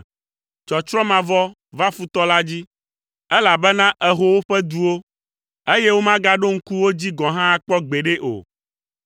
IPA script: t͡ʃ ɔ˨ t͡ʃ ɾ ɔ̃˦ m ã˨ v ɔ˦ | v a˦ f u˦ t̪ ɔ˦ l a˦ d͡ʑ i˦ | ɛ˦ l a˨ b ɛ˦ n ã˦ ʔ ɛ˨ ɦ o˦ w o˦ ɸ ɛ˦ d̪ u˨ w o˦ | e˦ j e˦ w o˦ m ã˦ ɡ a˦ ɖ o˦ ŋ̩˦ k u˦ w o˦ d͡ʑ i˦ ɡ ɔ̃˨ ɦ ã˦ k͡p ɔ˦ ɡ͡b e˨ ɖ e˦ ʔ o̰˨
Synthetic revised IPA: t͡ʃ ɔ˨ t͡ʃ ɾ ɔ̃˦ m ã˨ v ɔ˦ | v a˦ f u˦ t̪ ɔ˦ l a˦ d͡ʑ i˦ | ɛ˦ l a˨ b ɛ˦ n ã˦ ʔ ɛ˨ ɦ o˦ w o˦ ɸ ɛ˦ d̪ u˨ w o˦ | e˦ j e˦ w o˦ m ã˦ ɡ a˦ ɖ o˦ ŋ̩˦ k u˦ w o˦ d͡ʑ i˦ ɡ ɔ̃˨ ɦ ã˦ k͡p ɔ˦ ɡ͡b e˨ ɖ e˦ ʔ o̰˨